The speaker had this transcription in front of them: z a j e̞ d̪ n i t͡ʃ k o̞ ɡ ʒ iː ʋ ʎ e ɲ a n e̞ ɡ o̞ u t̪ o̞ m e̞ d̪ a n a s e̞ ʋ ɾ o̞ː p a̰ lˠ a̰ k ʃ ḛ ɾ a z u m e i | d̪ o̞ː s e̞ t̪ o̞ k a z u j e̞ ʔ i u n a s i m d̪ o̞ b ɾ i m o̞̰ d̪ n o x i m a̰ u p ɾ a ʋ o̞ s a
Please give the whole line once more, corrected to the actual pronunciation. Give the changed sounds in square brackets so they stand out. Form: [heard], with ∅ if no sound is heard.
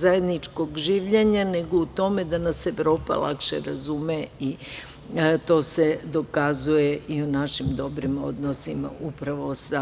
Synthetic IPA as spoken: z a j e̞ d̪ n i t͡ʃ k o̞ ɡ ʒ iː ʋ ʎ e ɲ a n e̞ ɡ o̞ u t̪ o̞ m e̞ d̪ a n a s e̞ ʋ ɾ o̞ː p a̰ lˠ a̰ k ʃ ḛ ɾ a z u m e i | [t̪] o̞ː s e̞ [d̪] o̞ k a z u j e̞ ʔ i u n a [ʃ] i m d̪ o̞ b ɾ i m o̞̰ d̪ n o [s] i m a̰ u p ɾ a ʋ o̞ s a